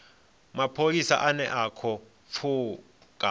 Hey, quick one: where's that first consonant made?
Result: lips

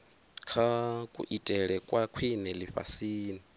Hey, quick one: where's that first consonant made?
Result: velum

